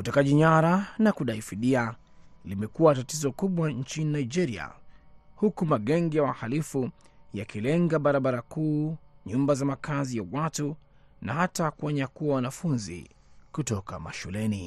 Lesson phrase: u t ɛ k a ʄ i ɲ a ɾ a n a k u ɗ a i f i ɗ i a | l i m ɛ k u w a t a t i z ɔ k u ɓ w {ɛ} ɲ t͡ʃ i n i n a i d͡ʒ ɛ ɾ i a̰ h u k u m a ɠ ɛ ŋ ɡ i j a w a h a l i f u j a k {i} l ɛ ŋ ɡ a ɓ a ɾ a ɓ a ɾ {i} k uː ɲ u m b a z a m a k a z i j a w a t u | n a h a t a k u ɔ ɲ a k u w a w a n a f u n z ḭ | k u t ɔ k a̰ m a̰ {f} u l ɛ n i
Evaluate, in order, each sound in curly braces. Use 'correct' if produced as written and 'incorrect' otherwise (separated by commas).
incorrect, correct, incorrect, incorrect